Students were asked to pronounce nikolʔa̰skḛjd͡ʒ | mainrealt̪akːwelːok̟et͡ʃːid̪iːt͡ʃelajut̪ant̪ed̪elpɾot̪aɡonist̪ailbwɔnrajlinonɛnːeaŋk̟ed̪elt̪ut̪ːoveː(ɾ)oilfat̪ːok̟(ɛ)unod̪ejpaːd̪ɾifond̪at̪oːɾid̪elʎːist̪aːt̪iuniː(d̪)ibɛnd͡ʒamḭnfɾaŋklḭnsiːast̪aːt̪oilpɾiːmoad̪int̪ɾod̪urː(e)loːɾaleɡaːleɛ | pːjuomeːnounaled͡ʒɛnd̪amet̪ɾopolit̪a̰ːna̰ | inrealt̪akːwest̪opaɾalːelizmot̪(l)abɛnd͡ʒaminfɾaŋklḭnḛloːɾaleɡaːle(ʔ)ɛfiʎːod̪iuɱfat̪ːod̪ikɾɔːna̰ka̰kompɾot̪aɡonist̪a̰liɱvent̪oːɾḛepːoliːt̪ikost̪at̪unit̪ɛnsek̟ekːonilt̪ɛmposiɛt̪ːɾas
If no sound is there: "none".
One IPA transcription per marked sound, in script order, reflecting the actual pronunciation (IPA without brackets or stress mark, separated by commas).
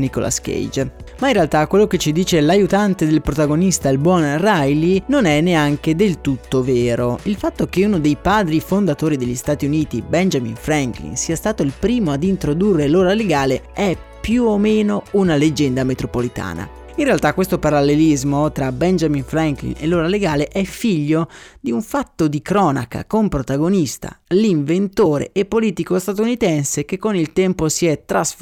ɾ, e, t̪, e, ɾ, ʔ